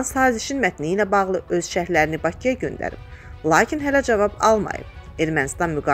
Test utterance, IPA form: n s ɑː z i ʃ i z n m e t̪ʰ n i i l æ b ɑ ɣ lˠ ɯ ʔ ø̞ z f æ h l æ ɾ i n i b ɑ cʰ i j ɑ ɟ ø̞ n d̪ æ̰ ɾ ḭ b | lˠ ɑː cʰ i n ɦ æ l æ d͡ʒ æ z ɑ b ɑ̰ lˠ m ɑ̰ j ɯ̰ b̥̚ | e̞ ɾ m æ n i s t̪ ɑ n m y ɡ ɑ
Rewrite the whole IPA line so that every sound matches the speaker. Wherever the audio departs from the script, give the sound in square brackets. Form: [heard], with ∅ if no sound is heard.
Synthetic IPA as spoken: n s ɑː z i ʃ i [∅] n m [æ] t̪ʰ n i i l æ b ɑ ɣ lˠ ɯ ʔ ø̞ z [ʃ] æ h l æ ɾ i n i b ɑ cʰ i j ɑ ɟ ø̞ n d̪ æ̰ ɾ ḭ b | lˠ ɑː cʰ i n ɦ æ l æ d͡ʒ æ [v] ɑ b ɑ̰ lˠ m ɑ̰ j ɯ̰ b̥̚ | e̞ ɾ m æ n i s t̪ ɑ n m y ɡ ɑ

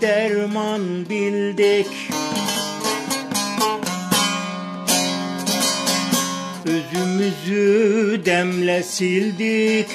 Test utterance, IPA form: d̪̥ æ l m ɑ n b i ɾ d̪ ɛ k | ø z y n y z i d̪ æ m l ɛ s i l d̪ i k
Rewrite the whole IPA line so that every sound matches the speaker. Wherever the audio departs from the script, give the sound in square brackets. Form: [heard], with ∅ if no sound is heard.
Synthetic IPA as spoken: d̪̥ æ [ɾ] m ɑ n b i [l] d̪ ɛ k | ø z y [m] y z [y] d̪ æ m l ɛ s i l d̪ i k

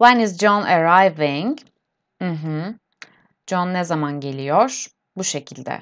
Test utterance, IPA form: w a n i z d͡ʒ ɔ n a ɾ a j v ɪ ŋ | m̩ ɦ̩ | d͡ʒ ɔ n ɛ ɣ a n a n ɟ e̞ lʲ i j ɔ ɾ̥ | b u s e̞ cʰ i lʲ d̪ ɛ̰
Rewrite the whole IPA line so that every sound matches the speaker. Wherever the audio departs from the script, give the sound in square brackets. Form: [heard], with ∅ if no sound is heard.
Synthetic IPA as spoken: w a n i z d͡ʒ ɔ n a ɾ a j v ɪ ŋ | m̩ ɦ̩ | d͡ʒ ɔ [nː] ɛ [z] a [m] a n ɟ e̞ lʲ i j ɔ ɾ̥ | b u [ʃ] e̞ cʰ i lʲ d̪ ɛ̰

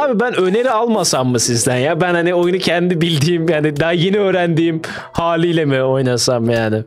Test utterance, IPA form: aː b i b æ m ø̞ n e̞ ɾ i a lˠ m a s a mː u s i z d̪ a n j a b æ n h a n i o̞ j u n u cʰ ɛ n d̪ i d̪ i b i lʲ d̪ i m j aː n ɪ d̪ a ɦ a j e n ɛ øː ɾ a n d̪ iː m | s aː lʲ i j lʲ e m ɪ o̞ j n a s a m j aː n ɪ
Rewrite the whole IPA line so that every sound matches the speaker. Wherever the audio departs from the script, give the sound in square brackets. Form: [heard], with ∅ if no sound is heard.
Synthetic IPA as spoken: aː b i b æ [n] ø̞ n e̞ ɾ i a lˠ m a s a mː [ɯ] s i z d̪ [æ] n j a b æ n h a n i o̞ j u n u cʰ ɛ n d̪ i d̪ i b i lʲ d̪ [iː] m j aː n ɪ d̪ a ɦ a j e n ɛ øː ɾ [æ] n d̪ iː m | [h] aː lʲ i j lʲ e m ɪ o̞ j n a s a m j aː n ɪ

